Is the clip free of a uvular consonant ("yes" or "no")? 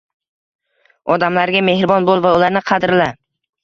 no